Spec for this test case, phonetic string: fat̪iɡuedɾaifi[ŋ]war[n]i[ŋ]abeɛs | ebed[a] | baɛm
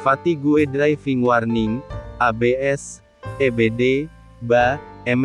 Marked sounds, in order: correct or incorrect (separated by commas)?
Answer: correct, correct, correct, incorrect